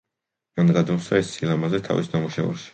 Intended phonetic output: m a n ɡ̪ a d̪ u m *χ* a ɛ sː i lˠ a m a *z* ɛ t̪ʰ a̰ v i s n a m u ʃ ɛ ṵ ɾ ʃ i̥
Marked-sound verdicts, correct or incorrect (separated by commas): incorrect, correct